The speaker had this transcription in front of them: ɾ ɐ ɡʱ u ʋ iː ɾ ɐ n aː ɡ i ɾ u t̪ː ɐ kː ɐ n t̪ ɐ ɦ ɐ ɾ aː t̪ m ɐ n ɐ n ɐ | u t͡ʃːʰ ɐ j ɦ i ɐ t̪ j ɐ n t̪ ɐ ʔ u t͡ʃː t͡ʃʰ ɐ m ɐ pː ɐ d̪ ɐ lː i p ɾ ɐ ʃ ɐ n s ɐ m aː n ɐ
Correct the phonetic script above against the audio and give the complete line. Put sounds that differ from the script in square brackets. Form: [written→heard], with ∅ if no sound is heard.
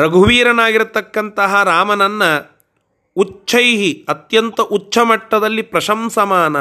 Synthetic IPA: ɾ ɐ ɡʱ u ʋ iː ɾ ɐ n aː ɡ i ɾ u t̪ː ɐ kː ɐ n t̪ ɐ ɦ ɐ ɾ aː [t̪→∅] m ɐ n ɐ [n→nː] ɐ | u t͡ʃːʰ ɐ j ɦ i ɐ t̪ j ɐ n t̪ ɐ ʔ u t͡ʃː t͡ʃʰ ɐ m ɐ [pː→ʈː] ɐ d̪ ɐ lː i p ɾ ɐ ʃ ɐ [n→m] s ɐ m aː n ɐ